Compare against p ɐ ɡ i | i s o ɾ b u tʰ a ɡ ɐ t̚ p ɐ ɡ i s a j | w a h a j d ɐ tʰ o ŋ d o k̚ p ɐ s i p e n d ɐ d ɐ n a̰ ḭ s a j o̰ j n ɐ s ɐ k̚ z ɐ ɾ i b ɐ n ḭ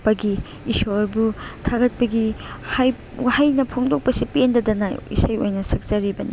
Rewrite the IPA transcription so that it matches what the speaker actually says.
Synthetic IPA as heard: p ɐ ɡ i | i s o ɾ b u tʰ a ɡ ɐ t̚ p ɐ ɡ i h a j | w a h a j n ɐ pʰ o ŋ d o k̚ p ɐ s i p e n d ɐ d ɐ n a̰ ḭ s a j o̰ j n ɐ s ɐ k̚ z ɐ ɾ i b ɐ n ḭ